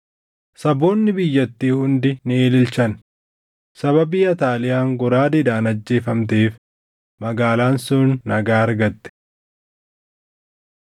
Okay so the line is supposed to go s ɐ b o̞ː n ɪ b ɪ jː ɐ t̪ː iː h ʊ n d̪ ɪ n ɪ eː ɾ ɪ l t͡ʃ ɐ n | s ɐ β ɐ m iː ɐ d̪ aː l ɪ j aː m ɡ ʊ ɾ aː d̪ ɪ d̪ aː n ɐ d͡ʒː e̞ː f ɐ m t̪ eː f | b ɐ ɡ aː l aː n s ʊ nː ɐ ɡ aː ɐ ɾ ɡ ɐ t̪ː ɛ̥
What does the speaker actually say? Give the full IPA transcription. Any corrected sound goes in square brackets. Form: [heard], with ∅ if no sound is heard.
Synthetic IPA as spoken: s ɐ b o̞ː [nː] ɪ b ɪ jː ɐ t̪ː iː h ʊ n d̪ ɪ n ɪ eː [l] ɪ l t͡ʃ ɐ n | s ɐ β ɐ [b] iː ɐ [t̪] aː l ɪ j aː [ŋ] ɡ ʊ ɾ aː d̪ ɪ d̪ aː n ɐ d͡ʒː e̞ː f ɐ m t̪ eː f | [m] ɐ ɡ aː l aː n s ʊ nː ɐ ɡ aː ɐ ɾ ɡ ɐ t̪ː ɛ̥